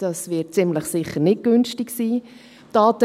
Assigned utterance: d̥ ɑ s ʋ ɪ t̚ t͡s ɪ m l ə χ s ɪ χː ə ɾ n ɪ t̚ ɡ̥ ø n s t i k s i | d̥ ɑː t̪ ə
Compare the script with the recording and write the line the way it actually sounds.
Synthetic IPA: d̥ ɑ s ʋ ɪ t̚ t͡s ɪ m l ə χ s ɪ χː ə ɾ n ɪ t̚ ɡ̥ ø n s t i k s iː | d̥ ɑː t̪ ə

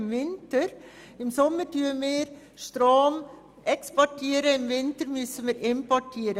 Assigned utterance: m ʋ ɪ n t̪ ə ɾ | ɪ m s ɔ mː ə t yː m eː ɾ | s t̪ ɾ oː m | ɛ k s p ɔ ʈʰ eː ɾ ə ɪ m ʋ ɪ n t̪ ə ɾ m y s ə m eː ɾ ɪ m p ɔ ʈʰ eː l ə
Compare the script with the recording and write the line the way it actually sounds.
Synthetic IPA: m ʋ ɪ n t̪ ə ɾ | ɪ m s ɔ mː ə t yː m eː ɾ | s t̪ ɾ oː m | ɛ k s p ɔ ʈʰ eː ɾ ə ɪ m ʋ ɪ n t̪ ə ɾ m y s ə m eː ɾ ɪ m p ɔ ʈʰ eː ɾ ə

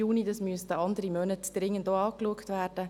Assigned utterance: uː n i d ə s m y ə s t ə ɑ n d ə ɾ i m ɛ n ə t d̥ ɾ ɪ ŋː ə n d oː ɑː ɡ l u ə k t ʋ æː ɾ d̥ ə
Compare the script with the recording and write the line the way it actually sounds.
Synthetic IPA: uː n i d ɑ s m y ə s t ə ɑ n d ə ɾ i m œ n ə t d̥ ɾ ɪ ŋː ə n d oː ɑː k l u ə k t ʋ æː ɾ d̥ ə

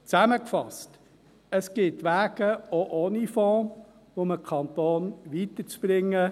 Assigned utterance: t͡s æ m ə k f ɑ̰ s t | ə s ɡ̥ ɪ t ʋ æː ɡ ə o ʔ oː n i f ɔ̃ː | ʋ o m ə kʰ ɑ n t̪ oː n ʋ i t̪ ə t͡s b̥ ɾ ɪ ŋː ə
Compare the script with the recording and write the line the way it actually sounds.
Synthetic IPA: t͡s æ m ə k f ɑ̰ s t | ə s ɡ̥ ɪ t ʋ æː ɡ ə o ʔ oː n i f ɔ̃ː | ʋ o m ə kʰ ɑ n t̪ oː n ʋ i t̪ ə t͡s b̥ ɾ ɪ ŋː ə

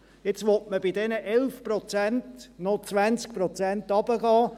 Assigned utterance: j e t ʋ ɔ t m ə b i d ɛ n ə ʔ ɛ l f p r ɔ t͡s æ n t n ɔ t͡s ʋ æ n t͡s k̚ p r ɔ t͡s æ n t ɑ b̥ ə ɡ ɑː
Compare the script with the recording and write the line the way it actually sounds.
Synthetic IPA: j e t͡s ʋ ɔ t m ə b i d ɛ n ə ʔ ɛ l f p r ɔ t͡s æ n t n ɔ t͡s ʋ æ n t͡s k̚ p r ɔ t͡s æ n t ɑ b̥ ə ɡ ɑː

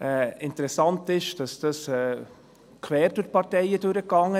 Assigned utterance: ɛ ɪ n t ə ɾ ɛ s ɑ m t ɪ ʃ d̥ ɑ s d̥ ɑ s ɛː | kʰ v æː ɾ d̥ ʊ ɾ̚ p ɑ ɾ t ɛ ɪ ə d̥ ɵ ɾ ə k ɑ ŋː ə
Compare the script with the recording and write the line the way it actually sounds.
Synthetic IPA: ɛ ɪ n t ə ɾ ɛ s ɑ n t ɪ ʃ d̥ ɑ s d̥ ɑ s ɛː | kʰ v ɛː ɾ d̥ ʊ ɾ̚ p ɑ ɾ t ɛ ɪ ə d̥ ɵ ɾ ə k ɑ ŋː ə

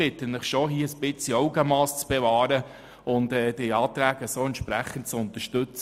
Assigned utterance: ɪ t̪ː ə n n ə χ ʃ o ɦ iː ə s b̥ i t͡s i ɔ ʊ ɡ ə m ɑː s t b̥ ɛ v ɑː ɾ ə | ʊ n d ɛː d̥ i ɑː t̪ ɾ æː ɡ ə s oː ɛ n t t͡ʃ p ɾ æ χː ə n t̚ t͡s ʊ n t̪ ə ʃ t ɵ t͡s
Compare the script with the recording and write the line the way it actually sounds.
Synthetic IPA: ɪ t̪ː ə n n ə χ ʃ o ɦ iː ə s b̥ ɪ t͡s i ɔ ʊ ɡ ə m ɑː s t͡s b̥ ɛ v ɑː ɾ ə | ʊ n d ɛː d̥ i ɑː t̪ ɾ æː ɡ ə s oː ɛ n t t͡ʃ p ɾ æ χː ə n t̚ t͡s ʊ n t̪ ə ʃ t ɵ t͡s

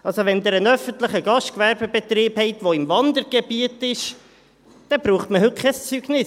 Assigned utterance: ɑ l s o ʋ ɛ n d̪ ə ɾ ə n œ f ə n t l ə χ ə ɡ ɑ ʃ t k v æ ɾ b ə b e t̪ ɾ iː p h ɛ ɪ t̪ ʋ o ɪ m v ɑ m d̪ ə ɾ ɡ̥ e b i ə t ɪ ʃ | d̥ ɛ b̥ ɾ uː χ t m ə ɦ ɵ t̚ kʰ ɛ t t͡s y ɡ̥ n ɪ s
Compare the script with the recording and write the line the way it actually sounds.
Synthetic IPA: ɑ l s o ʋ ɛ n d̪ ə ɾ ə n œ f ə n t l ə χ ə ɡ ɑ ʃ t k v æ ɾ b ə b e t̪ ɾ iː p h ɛ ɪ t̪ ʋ o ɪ m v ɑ n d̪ ə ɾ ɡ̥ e b i ə t ɪ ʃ | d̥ ɛ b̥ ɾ uː χ t m ə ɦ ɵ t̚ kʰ ɛ s t͡s y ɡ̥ n ɪ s

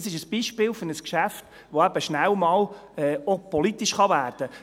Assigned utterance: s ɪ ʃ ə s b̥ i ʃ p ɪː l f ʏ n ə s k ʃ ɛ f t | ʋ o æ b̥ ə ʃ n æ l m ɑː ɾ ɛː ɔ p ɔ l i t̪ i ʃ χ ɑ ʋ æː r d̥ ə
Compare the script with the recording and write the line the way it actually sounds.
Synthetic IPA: s ɪ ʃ ə s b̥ i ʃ p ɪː l f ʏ n ə s k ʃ æ f t | ʋ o æ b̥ ə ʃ n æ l m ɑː l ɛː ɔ p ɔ l i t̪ i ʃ χ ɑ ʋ æː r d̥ ə

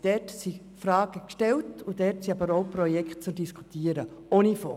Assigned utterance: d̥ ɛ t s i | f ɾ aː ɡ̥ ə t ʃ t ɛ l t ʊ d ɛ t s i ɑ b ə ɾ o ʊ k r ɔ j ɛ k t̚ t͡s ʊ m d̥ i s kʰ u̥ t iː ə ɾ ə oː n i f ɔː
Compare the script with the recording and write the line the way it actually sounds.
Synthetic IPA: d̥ ɛ t s i | f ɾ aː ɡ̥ ə k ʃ t ɛ l t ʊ d ɛ t s i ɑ b ə ɾ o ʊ p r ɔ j ɛ k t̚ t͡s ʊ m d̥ i s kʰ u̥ t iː ə ɾ ə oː n i f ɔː

